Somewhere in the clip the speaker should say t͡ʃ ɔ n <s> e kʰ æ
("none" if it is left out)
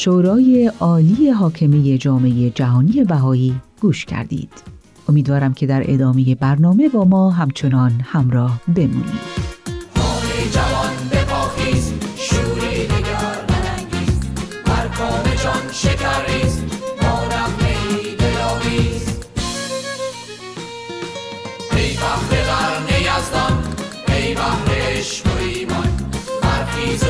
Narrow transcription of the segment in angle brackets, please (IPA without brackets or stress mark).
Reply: ʃ